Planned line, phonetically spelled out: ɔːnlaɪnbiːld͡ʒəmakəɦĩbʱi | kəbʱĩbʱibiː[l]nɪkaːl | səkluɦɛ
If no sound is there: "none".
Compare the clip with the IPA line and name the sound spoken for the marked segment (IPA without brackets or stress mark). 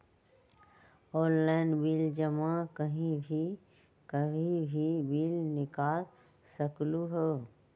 l